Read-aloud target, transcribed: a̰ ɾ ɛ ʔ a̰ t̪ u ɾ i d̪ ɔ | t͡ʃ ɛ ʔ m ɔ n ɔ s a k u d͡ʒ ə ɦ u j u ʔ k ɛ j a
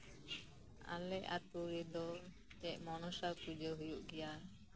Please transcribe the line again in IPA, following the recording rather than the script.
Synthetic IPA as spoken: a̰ l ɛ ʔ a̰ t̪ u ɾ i d̪ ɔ | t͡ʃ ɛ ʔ m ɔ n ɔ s a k u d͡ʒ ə ɦ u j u ʔ ɡ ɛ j a